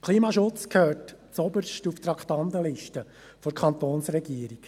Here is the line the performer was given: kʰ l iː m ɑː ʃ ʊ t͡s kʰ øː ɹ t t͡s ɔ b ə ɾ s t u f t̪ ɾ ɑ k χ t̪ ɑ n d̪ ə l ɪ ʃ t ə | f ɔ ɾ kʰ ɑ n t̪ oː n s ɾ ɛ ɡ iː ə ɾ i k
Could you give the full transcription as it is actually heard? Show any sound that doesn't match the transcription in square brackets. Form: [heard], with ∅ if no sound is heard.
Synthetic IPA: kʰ l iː m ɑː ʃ ʊ t͡s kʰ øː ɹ t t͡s ɔ b ə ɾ [ʃ] t u f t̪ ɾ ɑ k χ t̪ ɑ n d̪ ə l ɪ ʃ t ə | f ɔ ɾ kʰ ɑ n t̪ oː n s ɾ ɛ ɡ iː ə ɾ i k